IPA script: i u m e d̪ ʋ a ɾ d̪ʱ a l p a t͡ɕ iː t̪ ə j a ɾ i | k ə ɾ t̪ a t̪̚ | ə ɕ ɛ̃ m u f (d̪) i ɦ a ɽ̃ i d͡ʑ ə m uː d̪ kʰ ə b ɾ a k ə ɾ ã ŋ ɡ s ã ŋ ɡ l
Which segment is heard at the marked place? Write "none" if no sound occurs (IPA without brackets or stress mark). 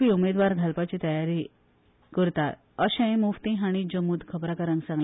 t̪